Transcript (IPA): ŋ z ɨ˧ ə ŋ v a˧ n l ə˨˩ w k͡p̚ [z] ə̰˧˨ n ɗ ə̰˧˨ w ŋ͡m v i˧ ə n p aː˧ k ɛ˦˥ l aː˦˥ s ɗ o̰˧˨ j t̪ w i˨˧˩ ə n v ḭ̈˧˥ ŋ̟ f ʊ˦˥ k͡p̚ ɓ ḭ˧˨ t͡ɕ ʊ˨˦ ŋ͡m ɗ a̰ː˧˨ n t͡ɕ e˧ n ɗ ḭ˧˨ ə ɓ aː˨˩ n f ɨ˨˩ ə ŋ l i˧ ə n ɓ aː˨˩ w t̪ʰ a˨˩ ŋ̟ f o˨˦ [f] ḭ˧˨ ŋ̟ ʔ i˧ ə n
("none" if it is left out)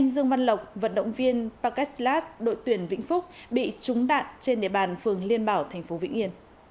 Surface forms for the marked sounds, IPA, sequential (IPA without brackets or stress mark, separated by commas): v, v